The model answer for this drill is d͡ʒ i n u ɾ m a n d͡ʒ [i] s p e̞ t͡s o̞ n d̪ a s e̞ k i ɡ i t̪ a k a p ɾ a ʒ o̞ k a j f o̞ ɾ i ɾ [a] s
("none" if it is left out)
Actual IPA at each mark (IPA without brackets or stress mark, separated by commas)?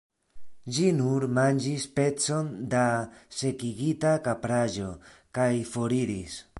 i, i